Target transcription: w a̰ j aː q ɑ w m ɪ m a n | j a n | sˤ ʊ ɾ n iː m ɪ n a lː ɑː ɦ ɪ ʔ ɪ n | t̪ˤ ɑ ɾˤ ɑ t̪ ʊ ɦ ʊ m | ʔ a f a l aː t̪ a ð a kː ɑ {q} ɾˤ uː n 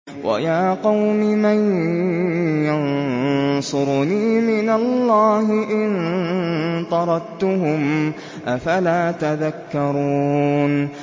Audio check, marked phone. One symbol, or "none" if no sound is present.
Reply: none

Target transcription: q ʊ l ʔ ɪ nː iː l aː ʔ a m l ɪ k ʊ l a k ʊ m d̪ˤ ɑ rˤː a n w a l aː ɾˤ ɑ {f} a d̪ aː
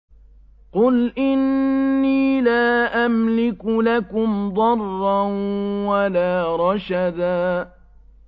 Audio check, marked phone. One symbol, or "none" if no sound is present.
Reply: ʃ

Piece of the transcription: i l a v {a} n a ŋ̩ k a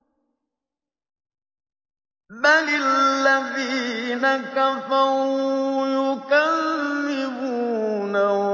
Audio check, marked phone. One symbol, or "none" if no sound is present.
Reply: i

